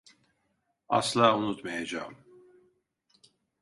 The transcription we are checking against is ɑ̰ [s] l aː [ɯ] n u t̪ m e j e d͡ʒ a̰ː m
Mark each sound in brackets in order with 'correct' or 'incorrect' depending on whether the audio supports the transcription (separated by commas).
correct, incorrect